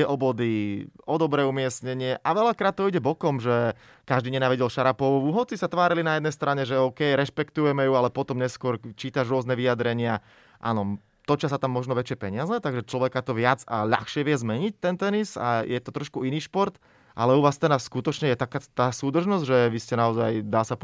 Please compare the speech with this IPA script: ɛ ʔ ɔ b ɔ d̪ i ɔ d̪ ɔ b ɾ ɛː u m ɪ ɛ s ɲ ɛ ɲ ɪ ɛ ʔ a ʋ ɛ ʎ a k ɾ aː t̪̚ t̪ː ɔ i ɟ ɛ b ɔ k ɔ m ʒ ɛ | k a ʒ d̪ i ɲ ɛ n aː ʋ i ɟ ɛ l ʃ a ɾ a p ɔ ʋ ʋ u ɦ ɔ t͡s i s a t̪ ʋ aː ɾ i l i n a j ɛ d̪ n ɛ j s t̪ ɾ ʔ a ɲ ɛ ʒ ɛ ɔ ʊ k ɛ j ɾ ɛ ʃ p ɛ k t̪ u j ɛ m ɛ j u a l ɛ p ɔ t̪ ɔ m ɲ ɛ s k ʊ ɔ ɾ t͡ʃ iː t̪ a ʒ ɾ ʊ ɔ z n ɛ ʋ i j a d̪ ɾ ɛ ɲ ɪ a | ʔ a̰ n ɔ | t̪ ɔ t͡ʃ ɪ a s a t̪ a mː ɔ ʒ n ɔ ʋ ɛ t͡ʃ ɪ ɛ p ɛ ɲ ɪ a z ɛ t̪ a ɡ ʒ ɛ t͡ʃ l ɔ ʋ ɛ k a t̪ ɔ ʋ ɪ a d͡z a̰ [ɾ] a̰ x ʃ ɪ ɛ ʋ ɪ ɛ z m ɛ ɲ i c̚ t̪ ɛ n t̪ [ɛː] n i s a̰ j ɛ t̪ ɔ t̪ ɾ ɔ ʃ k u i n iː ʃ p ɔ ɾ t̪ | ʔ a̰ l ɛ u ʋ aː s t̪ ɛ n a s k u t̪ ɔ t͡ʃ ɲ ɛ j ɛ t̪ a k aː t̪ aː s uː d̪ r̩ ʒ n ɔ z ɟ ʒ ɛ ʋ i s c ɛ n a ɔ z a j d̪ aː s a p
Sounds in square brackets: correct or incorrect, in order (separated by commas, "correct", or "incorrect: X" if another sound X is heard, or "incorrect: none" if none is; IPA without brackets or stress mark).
incorrect: ʎ, incorrect: ɛ